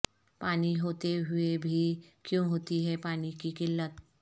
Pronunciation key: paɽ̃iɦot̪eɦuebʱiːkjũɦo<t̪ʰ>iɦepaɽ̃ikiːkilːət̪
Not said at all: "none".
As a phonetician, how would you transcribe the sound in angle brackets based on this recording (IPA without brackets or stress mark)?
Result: t̪